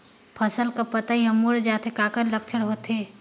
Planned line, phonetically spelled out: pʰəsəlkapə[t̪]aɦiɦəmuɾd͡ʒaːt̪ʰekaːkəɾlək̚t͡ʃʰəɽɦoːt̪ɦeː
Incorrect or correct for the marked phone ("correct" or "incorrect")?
correct